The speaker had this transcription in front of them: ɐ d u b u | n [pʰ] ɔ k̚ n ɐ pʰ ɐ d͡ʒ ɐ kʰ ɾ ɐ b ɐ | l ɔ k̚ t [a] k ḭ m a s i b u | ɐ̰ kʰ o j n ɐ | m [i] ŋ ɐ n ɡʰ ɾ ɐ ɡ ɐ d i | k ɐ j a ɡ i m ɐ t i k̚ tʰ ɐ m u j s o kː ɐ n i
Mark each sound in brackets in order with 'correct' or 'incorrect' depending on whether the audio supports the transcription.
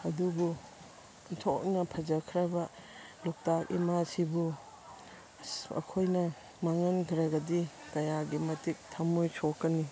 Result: incorrect, correct, incorrect

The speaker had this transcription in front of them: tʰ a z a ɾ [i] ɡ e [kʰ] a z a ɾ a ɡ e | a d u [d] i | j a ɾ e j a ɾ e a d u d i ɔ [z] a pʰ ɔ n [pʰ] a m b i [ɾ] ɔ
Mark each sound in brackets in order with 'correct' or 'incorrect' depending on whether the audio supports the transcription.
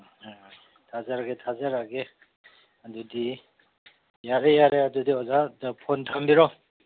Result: incorrect, incorrect, correct, correct, incorrect, correct

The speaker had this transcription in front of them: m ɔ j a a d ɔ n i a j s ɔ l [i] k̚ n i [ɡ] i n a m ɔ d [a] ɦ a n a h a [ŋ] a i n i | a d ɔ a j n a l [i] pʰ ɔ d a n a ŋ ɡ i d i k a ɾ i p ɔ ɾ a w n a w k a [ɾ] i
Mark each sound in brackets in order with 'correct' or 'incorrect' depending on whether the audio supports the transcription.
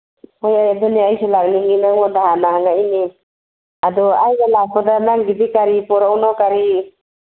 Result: incorrect, incorrect, correct, correct, incorrect, correct

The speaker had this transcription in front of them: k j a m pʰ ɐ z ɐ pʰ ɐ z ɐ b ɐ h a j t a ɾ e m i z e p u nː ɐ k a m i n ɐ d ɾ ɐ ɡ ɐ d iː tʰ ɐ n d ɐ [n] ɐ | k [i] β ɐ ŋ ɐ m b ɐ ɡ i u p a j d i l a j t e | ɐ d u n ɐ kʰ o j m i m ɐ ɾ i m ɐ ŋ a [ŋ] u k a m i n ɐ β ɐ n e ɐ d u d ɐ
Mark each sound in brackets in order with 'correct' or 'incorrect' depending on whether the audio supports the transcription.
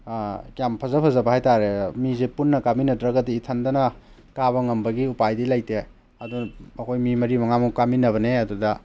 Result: correct, incorrect, incorrect

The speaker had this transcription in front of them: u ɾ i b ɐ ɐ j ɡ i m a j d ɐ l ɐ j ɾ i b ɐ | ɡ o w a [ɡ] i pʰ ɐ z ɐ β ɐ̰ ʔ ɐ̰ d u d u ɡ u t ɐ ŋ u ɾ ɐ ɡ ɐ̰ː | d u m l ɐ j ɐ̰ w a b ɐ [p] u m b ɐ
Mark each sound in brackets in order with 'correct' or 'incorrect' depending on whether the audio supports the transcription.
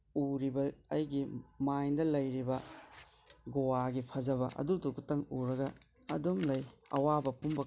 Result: correct, correct

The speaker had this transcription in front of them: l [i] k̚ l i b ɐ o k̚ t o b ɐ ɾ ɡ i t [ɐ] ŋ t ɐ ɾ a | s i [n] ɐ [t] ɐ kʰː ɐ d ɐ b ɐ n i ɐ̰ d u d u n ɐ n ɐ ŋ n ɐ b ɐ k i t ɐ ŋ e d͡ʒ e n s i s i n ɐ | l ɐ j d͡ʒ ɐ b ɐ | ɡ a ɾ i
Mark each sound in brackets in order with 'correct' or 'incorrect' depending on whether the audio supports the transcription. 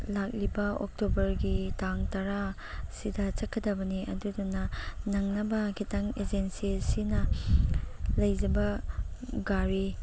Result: incorrect, incorrect, incorrect, incorrect

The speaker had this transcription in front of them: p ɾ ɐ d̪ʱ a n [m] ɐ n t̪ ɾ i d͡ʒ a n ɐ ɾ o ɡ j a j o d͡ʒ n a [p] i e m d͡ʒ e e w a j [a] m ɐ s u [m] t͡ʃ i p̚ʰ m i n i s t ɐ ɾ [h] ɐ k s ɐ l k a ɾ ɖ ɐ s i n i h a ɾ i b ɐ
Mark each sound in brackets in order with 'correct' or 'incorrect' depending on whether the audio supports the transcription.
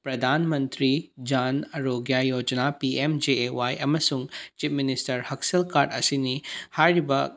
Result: correct, correct, incorrect, incorrect, correct

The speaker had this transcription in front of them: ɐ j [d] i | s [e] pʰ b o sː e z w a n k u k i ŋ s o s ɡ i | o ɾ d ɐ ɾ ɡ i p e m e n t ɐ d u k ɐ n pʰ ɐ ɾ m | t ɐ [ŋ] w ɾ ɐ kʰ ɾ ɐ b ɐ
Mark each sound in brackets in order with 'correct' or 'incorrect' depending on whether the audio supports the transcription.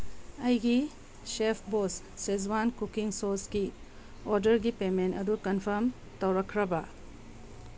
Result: incorrect, correct, incorrect

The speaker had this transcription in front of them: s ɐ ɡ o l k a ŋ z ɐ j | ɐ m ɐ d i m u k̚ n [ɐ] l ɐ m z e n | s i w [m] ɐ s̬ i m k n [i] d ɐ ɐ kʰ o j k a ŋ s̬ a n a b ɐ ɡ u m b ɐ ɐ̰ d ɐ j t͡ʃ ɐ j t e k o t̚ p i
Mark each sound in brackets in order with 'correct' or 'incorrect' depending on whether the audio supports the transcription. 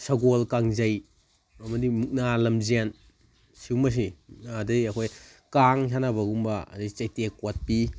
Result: incorrect, correct, incorrect

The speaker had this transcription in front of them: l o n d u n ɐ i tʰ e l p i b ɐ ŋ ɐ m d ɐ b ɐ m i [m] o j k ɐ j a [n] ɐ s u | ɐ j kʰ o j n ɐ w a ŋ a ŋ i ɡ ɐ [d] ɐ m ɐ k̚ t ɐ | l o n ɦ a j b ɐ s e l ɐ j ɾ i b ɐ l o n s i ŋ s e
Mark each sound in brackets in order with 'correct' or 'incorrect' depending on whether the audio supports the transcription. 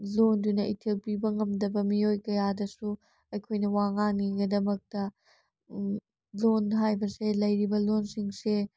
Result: incorrect, incorrect, correct

